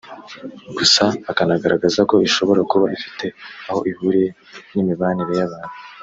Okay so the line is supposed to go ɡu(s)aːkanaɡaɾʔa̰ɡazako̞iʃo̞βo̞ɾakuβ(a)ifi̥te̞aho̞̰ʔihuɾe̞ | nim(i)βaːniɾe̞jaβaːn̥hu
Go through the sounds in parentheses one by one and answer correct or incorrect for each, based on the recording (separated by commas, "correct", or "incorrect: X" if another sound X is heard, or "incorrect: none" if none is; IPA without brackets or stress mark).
correct, correct, correct